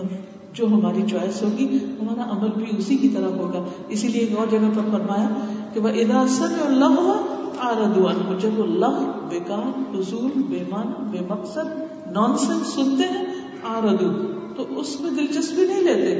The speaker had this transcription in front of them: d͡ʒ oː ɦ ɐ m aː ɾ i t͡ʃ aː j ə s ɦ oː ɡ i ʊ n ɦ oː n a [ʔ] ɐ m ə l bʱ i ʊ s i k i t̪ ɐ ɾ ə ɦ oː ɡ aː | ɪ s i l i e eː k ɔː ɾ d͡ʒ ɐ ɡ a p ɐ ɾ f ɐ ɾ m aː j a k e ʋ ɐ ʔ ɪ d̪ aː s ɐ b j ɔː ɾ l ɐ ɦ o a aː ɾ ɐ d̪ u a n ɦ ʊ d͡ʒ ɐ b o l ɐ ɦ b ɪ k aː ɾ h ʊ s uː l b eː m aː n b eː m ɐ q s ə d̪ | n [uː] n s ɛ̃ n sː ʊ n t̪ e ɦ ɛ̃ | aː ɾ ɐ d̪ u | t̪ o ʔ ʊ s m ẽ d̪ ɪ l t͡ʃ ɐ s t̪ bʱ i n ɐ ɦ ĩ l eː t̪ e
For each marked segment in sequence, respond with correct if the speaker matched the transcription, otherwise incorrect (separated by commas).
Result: correct, incorrect